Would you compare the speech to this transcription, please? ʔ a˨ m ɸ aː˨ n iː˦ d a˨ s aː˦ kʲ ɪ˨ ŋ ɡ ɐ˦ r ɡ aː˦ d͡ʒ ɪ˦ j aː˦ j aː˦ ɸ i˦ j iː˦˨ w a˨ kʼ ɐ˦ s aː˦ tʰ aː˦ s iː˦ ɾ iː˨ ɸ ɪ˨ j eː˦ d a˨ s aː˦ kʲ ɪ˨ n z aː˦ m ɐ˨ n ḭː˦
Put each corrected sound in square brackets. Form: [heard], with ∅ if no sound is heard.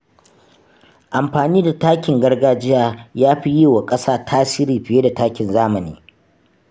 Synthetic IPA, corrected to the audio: ʔ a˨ m ɸ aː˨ n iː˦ d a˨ [t] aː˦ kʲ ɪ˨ ŋ ɡ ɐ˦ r ɡ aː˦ d͡ʒ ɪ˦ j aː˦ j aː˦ ɸ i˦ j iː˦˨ w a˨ kʼ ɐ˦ s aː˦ tʰ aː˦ s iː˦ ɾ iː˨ ɸ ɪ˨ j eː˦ d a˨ [t] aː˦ kʲ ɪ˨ n z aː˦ m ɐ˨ n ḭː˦